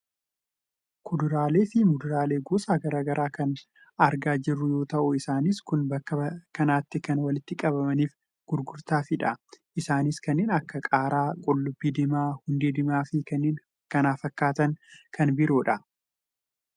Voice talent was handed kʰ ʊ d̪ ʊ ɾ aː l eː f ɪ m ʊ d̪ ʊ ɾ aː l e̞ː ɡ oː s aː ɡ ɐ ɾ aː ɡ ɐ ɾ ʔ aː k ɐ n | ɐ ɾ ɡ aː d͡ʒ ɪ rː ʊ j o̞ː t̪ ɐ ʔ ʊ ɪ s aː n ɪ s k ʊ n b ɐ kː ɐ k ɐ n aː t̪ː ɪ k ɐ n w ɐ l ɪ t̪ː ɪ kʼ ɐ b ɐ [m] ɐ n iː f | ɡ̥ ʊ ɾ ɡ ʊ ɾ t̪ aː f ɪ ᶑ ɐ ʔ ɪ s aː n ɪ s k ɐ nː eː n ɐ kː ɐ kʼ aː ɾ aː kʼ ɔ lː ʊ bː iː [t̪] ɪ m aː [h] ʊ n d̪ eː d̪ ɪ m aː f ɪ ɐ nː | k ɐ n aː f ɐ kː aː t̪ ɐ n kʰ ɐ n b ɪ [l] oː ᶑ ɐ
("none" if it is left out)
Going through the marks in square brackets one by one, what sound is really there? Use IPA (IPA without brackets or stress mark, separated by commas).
m, d̪, h, ɾ